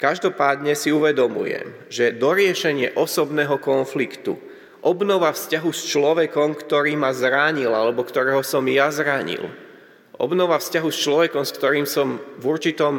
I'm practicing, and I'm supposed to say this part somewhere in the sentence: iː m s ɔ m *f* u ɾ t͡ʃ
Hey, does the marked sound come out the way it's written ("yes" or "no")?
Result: no